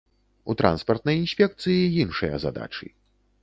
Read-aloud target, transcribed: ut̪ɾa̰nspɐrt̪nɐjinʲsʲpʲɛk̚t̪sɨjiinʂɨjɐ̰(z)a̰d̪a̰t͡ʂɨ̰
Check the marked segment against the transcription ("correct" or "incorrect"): correct